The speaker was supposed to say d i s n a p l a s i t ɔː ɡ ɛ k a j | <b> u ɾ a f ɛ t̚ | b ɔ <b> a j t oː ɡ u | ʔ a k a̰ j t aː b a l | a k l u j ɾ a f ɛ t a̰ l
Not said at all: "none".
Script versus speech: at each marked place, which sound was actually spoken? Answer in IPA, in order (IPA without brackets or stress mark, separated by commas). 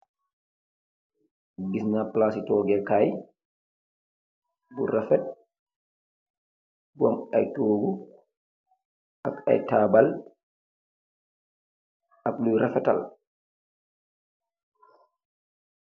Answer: b, m